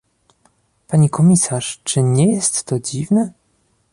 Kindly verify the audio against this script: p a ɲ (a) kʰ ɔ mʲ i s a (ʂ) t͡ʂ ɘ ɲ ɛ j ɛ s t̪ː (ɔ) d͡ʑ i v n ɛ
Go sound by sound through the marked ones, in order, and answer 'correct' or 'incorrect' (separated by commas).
incorrect, correct, correct